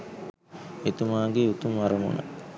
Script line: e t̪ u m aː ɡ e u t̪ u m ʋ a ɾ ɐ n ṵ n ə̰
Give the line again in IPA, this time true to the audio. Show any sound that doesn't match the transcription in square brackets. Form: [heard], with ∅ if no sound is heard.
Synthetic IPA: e t̪ u m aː ɡ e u t̪ u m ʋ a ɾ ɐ [m] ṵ n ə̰